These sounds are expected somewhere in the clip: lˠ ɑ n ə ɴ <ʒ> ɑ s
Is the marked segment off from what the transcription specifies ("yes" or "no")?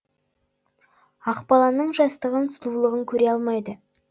no